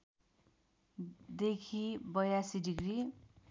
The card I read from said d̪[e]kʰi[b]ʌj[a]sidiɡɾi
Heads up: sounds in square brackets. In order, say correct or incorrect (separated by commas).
correct, correct, correct